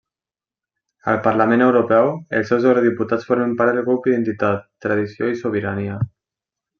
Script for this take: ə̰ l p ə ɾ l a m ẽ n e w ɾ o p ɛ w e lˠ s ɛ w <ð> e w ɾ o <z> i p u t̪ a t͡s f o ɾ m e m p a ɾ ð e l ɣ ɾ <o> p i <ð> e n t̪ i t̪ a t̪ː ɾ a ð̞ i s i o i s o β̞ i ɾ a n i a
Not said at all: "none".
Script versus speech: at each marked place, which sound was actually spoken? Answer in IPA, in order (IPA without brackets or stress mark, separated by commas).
z, ð, u, ð